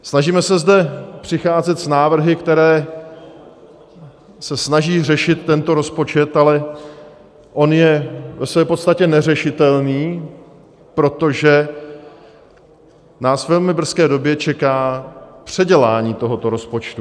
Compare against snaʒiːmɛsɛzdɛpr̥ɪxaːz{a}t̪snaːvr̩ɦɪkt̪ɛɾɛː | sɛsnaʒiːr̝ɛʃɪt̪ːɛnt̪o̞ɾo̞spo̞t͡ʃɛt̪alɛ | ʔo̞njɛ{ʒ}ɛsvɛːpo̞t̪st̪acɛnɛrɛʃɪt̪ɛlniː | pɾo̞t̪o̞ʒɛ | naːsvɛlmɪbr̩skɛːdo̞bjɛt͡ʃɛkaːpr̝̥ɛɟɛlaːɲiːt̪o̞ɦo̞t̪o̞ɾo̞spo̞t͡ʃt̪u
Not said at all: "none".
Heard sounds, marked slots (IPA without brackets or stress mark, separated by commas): ɛ, v